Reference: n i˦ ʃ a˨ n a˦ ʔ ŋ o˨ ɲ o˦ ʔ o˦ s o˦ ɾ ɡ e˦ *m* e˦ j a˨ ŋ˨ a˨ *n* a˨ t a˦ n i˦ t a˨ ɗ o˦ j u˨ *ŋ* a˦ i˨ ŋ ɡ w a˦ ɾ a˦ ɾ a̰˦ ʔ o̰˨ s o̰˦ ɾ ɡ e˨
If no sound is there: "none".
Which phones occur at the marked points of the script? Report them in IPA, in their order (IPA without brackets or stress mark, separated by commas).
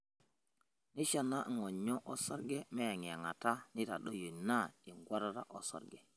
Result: m, ŋ, n